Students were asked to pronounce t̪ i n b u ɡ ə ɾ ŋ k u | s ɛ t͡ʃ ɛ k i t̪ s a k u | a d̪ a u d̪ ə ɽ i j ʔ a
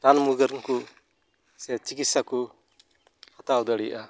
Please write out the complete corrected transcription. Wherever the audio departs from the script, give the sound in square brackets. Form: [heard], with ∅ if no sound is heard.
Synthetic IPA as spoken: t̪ [a] n [m] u ɡ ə ɾ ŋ k u | s ɛ t͡ʃ [i] k i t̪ s a k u | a [t̪] a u d̪ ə ɽ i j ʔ a